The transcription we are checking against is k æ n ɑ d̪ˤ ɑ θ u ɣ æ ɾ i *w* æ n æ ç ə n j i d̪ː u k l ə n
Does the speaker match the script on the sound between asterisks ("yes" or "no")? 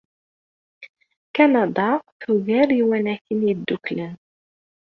yes